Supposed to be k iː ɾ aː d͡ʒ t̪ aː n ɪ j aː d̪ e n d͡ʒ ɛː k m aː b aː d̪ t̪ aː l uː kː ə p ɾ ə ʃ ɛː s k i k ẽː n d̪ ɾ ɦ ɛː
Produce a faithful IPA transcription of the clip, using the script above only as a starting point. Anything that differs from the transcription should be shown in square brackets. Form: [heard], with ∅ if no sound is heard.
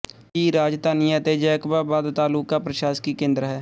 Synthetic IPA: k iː ɾ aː d͡ʒ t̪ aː n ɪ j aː [t̪] e [∅] d͡ʒ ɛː k [b] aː b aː d̪ t̪ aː l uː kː [a] p ɾ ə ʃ [aː] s k i k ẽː n d̪ ɾ ɦ ɛː